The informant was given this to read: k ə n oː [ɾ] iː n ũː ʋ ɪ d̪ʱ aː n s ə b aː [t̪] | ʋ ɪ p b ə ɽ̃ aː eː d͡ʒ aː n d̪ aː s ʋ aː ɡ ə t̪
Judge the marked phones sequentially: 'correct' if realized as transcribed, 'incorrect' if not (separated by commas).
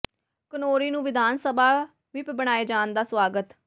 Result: correct, incorrect